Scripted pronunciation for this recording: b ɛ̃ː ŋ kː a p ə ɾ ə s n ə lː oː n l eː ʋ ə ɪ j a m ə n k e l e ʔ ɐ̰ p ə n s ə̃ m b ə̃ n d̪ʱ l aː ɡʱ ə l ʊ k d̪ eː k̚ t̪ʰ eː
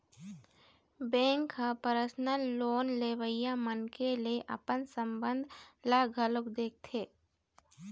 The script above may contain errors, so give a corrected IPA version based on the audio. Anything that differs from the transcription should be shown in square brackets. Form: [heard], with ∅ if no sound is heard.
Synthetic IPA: b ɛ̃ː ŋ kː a p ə ɾ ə s n ə lː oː n l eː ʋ ə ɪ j a m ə n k e l e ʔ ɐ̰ p ə n s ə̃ m b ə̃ n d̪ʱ l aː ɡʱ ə l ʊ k d̪ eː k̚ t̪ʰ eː